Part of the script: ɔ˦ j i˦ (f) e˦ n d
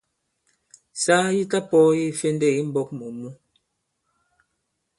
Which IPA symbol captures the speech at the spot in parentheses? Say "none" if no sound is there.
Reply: f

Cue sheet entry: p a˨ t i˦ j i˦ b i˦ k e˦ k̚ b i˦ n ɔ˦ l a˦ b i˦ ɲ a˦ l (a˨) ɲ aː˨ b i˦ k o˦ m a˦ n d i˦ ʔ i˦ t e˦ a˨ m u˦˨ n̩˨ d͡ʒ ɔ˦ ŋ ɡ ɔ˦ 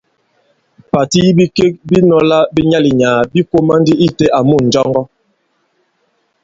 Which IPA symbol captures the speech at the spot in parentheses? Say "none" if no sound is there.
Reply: i˨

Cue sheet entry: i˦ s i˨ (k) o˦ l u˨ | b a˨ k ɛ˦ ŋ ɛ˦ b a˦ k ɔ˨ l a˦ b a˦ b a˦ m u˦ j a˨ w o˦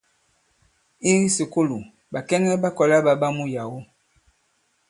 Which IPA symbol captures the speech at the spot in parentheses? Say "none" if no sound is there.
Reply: k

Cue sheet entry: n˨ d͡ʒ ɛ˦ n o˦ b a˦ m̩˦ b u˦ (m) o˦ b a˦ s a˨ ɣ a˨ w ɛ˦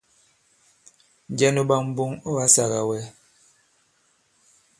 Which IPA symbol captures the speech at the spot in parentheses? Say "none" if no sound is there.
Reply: ŋ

